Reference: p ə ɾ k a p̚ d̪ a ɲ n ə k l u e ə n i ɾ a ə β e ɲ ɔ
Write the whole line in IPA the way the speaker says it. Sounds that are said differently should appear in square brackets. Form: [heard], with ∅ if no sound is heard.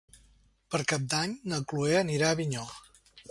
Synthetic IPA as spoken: p ə ɾ k a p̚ d̪ a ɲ n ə k l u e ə n i ɾ a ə β [i] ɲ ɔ